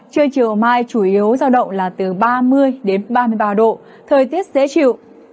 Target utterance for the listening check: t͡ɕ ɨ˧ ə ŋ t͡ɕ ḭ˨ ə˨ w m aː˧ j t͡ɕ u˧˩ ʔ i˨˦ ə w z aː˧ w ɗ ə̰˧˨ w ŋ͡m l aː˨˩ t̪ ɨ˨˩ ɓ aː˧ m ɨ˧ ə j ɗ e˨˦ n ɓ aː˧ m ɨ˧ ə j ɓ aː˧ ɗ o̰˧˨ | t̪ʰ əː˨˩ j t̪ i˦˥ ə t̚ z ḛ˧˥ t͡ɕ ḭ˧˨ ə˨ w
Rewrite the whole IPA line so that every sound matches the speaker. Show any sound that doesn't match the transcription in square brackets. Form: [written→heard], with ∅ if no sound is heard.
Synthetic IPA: t͡ɕ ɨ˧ ə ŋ t͡ɕ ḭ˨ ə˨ w m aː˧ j t͡ɕ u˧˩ ʔ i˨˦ ə w z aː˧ w ɗ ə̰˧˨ w ŋ͡m l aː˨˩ t̪ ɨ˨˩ ɓ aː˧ m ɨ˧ ə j ɗ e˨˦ n ɓ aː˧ m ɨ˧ ə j ɓ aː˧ ɗ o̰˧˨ | t̪ʰ əː˨˩ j t̪ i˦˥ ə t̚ z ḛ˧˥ t͡ɕ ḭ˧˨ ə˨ w